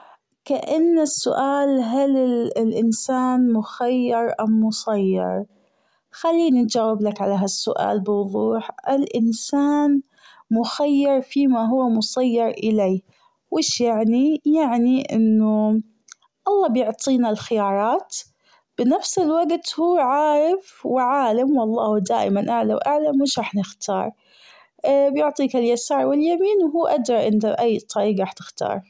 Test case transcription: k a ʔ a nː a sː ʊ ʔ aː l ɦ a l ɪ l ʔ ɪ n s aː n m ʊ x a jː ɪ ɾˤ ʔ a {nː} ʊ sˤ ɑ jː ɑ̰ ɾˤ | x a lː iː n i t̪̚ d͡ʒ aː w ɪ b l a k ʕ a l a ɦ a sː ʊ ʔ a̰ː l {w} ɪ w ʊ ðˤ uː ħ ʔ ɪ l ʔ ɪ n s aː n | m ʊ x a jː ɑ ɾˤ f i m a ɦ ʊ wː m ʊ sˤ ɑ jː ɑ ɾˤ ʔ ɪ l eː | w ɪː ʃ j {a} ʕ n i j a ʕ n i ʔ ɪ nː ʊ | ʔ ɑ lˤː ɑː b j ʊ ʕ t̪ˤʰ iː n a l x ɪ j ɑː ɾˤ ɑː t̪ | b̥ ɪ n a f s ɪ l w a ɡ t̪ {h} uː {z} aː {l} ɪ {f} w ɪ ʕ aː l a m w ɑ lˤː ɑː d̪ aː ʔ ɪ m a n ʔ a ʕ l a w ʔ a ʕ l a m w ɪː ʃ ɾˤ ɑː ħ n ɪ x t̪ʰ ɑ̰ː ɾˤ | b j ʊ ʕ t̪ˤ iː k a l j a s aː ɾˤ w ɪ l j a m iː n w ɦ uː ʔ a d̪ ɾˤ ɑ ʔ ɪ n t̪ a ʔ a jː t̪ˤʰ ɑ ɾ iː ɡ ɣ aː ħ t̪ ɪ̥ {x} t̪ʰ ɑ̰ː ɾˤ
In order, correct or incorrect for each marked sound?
incorrect: mː, incorrect: b, correct, correct, incorrect: ʕ, incorrect: ɾ, correct, correct

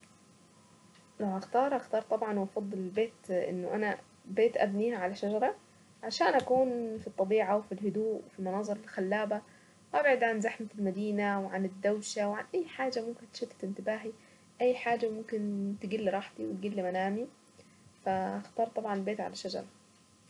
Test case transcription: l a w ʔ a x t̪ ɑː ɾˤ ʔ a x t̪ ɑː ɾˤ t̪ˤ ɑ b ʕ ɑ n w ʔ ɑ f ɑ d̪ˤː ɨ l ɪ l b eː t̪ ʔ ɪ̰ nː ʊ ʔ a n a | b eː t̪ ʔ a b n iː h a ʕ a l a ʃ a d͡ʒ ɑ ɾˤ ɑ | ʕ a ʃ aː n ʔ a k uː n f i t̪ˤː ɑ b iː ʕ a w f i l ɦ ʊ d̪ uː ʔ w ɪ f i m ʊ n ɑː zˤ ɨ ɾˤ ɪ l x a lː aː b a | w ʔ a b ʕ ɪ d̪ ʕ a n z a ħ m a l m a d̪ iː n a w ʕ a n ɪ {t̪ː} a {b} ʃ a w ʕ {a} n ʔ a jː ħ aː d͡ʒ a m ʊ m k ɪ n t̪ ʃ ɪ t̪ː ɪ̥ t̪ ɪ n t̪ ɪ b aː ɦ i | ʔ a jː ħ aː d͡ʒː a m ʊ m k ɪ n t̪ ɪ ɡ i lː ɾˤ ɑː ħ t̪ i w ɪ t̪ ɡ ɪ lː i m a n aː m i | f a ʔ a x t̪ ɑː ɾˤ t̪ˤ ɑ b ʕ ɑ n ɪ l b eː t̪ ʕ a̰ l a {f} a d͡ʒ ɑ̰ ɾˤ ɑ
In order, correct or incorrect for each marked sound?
incorrect: d̪ː, incorrect: w, correct, incorrect: ʃ

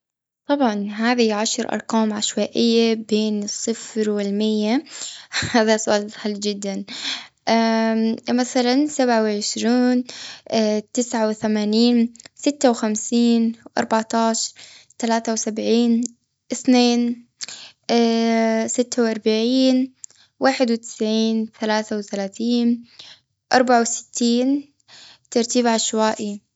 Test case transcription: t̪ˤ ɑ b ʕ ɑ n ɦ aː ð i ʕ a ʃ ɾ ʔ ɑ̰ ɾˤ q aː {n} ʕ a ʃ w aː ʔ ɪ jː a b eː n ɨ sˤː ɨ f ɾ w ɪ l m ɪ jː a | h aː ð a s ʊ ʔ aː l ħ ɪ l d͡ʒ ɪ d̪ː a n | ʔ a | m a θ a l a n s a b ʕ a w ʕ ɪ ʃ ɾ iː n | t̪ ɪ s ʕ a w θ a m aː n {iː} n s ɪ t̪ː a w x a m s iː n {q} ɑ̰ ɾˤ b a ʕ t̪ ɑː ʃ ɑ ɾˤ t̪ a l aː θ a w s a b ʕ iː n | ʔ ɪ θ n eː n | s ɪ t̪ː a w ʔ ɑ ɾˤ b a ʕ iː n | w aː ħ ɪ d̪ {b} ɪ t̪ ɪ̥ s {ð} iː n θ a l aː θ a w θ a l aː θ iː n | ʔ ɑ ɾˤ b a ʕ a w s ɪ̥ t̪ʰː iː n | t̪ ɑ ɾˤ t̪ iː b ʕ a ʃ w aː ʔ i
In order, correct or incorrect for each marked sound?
incorrect: m, correct, incorrect: ʔ, incorrect: w, incorrect: ʕ

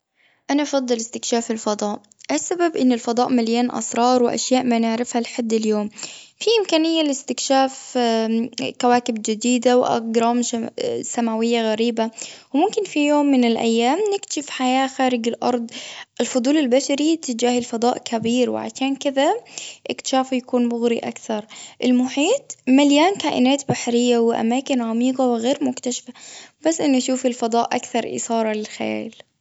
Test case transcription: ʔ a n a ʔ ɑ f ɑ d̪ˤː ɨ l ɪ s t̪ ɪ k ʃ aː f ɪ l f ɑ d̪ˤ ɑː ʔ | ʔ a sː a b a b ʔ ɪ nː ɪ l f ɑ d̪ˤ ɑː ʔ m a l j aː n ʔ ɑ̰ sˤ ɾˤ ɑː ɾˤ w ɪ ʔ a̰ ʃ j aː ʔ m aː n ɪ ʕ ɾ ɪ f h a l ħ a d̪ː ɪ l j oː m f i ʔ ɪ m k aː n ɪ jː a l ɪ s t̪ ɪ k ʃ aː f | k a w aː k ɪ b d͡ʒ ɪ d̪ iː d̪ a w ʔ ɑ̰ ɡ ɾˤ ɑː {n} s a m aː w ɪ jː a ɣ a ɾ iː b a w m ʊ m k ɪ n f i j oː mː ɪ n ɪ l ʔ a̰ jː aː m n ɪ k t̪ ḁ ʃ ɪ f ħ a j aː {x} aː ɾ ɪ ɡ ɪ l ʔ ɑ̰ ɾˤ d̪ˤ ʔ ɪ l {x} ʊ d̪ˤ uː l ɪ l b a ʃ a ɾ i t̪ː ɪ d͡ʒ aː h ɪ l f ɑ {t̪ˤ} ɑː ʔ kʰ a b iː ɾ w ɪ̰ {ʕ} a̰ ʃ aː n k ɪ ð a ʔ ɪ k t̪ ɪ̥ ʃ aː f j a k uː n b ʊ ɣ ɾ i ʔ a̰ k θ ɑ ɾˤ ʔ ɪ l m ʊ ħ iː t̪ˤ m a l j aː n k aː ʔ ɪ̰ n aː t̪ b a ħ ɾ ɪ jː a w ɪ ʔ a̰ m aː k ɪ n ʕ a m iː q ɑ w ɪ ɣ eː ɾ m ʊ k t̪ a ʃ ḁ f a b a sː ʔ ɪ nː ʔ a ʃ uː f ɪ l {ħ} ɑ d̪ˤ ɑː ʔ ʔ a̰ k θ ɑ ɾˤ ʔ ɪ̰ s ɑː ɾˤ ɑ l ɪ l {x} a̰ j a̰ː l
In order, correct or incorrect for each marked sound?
incorrect: m, correct, incorrect: f, incorrect: d̪ˤ, correct, incorrect: f, correct

